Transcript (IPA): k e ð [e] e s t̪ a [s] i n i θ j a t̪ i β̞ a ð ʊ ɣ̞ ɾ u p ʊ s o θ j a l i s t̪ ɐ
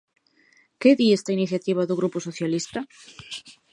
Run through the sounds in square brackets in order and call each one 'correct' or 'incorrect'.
incorrect: i, incorrect: none

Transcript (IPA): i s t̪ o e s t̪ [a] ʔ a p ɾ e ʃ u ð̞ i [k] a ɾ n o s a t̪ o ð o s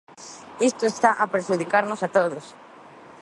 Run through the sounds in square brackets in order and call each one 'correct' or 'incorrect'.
correct, correct

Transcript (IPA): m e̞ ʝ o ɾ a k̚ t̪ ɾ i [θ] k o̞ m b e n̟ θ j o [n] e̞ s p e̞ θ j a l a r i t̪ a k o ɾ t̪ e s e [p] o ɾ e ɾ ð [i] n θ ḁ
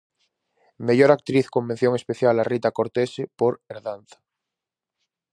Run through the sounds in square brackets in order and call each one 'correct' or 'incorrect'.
correct, incorrect: ŋ, correct, incorrect: a

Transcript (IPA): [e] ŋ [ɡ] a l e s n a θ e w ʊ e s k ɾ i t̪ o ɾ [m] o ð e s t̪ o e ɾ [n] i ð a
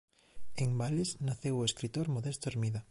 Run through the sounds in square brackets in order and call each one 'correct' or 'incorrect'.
correct, incorrect: b, correct, incorrect: m

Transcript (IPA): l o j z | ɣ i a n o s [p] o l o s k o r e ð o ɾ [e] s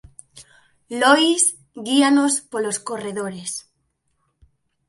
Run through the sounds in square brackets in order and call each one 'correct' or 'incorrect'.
correct, correct

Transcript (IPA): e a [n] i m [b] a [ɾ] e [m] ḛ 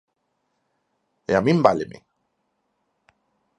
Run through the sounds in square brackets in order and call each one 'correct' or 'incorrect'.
incorrect: m, correct, incorrect: l, correct

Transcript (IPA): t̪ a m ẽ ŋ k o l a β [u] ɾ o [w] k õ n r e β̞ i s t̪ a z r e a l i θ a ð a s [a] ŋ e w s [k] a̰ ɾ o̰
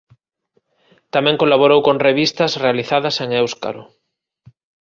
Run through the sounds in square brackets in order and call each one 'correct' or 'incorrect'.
incorrect: o, correct, incorrect: e, correct

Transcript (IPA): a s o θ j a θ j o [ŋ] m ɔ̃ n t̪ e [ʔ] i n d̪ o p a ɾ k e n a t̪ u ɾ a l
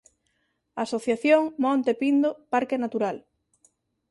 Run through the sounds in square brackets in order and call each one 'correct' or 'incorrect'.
correct, incorrect: p

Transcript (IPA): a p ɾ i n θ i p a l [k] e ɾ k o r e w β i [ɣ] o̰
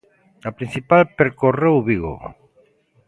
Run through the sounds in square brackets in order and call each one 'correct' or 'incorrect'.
incorrect: p, correct

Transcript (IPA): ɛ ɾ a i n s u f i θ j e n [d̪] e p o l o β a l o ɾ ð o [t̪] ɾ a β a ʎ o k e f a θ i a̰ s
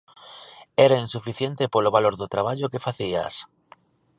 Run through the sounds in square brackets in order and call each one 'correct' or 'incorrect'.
incorrect: t̪, correct

